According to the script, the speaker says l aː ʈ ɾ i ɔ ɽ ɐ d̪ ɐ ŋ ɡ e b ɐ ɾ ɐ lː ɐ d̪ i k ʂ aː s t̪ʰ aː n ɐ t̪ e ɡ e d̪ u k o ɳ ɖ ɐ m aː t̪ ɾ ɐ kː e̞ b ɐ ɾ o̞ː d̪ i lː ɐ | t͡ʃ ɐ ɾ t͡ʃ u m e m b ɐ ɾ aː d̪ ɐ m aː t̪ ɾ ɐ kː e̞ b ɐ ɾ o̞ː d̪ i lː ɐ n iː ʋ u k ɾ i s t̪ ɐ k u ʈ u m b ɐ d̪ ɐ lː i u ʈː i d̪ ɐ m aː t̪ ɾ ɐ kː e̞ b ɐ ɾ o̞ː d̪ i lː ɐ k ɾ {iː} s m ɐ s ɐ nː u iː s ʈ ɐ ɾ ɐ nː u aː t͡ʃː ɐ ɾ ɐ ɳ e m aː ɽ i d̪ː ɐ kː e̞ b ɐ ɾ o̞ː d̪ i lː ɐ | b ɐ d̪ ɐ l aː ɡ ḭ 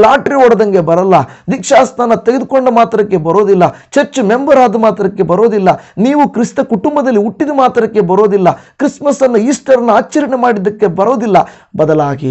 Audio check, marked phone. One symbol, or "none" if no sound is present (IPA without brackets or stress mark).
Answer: i